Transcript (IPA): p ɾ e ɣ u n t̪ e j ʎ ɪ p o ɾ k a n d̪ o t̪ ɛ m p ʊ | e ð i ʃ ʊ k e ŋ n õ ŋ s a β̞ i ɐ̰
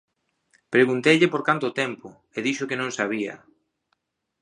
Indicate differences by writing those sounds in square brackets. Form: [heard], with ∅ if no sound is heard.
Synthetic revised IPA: p ɾ e ɣ u n t̪ e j ʎ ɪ p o ɾ k a n [t̪] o t̪ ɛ m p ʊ | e ð i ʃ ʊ k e [∅] n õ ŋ s a β̞ i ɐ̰